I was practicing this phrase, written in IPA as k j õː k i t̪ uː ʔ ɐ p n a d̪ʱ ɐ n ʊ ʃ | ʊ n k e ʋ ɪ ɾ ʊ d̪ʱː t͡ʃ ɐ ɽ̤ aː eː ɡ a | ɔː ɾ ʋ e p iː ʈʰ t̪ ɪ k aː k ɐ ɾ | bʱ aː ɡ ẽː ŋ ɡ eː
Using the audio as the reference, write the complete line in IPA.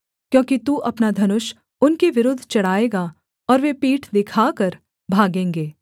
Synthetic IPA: k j õː k i t̪ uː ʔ ɐ p n a d̪ʱ ɐ n ʊ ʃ | ʊ n k e ʋ ɪ ɾ ʊ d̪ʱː t͡ʃ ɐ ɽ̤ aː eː ɡ a | ɔː ɾ ʋ e p iː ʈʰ d̪ ɪ kʰ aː k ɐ ɾ | bʱ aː ɡ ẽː ŋ ɡ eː

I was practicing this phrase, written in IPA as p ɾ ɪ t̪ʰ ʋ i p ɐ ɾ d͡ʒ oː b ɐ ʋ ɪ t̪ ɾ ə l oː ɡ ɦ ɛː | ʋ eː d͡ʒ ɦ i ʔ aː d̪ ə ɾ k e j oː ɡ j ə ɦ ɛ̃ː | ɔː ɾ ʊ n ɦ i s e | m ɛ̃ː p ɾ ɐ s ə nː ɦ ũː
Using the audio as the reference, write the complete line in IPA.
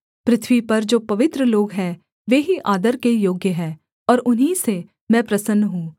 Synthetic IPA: p ɾ ɪ t̪ʰ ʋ i p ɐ ɾ d͡ʒ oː p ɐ ʋ ɪ t̪ ɾ ə l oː ɡ ɦ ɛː | ʋ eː ɦ i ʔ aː d̪ ə ɾ k e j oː ɡ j ə ɦ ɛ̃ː | ɔː ɾ ʊ n ɦ i s e | m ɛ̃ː p ɾ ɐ s ə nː ɦ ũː

